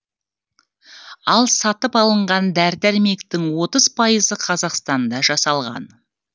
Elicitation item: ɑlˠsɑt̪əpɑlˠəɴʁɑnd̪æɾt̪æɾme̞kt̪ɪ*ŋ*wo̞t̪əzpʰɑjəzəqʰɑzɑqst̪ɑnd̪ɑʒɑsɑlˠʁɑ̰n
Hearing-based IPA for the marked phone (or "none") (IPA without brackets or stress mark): ŋ